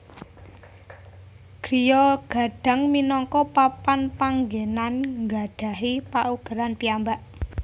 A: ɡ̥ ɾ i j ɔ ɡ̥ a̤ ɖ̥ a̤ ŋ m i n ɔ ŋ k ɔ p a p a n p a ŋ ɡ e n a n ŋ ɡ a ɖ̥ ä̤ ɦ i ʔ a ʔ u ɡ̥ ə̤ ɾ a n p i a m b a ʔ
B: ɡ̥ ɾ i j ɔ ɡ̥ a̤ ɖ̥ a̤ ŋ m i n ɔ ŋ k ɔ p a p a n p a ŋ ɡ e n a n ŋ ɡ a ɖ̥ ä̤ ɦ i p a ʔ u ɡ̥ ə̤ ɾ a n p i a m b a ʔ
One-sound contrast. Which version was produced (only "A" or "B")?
B